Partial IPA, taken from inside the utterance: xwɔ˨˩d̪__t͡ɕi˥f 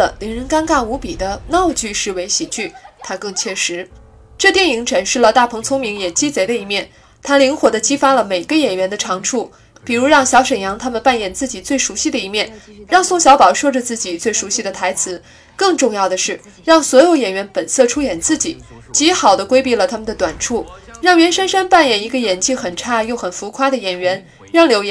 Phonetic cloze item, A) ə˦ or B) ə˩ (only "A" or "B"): A